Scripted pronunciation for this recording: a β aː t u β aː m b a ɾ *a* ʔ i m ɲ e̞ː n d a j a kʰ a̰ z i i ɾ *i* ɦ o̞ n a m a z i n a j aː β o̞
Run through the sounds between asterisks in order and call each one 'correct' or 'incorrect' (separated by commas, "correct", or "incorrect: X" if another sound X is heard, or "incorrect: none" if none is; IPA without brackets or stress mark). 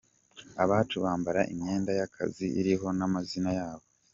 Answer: correct, correct